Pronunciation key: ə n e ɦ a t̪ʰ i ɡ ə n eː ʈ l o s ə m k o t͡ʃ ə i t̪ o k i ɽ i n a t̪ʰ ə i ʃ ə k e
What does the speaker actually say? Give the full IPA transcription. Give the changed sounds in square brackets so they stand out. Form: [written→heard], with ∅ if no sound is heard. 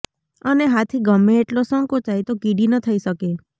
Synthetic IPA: ə n e ɦ a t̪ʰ i ɡ ə [n→m] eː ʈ l o s ə [m→ŋ] k o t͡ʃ [ə→a] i t̪ o k i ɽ i n [a→ə] t̪ʰ ə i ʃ ə k e